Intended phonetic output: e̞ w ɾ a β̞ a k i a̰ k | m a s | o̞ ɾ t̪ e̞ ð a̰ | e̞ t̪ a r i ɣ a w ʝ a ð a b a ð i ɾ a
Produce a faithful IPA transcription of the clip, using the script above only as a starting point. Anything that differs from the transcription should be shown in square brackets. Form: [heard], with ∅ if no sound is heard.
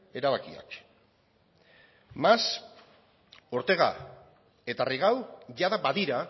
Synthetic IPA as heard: e̞ [∅] ɾ a β̞ a k i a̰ k | m a s | o̞ ɾ t̪ e̞ [ɣ] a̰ | e̞ t̪ a r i ɣ a w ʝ a ð a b a ð i ɾ a